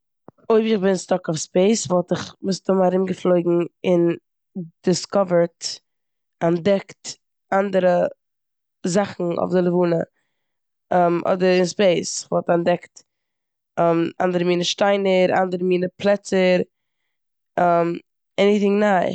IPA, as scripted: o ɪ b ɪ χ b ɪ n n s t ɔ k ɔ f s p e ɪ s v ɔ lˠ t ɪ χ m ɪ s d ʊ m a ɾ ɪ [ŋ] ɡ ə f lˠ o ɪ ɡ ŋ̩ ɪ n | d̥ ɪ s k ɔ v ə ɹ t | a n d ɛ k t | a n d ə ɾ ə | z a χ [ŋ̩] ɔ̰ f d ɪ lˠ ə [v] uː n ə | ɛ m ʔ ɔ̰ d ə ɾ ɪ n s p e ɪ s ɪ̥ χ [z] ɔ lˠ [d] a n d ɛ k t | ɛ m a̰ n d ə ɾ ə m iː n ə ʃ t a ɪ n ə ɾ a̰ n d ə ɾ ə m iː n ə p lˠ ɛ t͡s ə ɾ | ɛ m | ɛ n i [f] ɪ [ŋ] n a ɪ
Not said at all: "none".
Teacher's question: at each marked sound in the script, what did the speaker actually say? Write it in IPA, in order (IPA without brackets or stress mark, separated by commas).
m, n̩, v, v, t, θ, ŋ